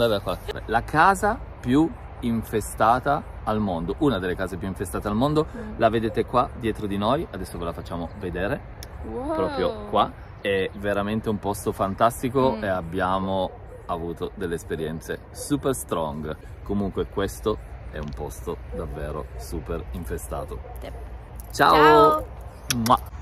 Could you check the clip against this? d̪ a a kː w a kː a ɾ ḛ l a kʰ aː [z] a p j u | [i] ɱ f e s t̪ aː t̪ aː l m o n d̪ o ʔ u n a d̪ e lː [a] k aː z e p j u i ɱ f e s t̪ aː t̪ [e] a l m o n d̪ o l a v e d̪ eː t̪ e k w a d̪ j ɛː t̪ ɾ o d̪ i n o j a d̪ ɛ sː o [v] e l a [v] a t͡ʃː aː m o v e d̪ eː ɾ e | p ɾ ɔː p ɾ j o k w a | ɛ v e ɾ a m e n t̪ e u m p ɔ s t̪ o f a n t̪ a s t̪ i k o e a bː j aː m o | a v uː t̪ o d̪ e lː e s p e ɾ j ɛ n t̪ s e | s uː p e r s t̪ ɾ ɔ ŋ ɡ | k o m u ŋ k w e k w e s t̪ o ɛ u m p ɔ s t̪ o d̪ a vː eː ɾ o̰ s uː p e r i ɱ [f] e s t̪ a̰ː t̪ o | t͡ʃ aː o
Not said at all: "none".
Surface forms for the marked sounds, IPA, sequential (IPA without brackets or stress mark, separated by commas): z, i, e, e, v, f, f